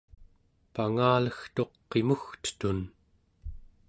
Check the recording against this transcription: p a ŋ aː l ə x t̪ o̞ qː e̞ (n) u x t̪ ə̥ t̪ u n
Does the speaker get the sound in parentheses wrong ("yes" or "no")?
yes